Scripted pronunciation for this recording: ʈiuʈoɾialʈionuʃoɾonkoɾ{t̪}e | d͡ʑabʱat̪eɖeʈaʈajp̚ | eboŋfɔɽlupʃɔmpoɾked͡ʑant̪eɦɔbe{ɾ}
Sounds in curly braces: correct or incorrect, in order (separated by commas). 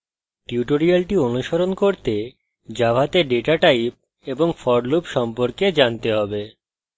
correct, incorrect